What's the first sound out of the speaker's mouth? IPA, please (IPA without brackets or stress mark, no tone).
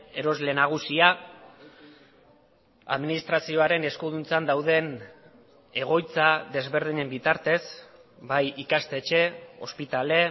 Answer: e̞